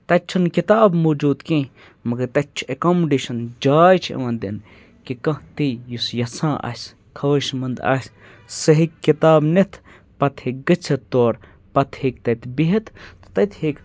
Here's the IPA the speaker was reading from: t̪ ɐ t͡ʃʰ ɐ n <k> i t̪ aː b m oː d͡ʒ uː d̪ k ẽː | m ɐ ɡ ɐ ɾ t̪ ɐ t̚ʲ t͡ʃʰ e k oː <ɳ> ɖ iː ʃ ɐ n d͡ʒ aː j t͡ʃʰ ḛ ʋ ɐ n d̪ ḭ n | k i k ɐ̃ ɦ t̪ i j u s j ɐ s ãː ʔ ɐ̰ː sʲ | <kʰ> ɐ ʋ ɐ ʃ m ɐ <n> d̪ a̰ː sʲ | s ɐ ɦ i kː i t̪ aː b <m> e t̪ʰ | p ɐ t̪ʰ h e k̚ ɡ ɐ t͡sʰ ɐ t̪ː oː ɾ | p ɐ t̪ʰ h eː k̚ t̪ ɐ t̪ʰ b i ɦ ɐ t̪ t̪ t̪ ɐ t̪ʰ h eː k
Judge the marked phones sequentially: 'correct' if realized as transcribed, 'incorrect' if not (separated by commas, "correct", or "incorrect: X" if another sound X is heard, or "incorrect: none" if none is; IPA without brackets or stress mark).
correct, incorrect: m, correct, correct, incorrect: n